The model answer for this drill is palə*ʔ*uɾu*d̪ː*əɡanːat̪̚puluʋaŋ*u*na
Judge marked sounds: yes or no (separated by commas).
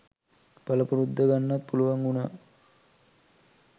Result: no, yes, yes